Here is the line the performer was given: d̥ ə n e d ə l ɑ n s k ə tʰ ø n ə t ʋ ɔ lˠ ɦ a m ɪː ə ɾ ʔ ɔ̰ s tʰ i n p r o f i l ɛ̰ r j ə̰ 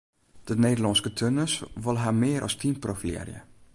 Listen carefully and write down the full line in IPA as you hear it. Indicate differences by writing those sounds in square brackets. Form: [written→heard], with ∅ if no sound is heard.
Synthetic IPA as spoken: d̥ ə n e d ə l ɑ n s k ə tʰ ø n ə [t→s] ʋ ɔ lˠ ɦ a m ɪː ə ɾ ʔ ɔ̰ s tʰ i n p r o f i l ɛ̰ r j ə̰